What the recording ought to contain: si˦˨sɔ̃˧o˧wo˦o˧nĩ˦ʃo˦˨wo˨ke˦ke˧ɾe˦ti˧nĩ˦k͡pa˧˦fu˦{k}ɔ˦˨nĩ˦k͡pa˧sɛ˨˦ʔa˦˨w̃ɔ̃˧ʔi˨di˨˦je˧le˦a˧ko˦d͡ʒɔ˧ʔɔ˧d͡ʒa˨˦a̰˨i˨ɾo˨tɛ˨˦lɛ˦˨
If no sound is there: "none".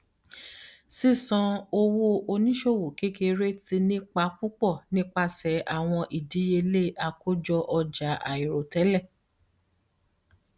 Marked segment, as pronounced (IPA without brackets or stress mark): k͡p